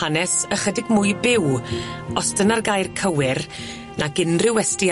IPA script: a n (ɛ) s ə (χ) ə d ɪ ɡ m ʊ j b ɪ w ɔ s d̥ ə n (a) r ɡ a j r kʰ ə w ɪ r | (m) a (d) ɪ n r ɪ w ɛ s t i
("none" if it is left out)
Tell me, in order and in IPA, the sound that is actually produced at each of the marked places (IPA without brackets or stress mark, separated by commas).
ɛ, χ, a, n, ɡ